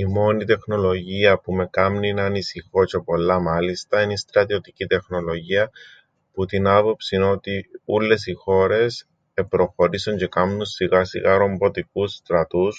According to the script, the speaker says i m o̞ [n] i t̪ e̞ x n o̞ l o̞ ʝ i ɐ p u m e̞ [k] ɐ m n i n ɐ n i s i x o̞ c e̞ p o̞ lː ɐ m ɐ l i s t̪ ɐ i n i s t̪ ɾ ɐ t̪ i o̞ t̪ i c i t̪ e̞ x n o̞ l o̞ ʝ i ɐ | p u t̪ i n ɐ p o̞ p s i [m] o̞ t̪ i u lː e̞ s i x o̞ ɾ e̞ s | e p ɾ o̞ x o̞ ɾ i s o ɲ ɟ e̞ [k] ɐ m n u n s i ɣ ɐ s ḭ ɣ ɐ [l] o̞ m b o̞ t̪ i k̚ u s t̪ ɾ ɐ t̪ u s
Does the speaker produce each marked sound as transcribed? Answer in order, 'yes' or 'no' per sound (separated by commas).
yes, yes, no, yes, no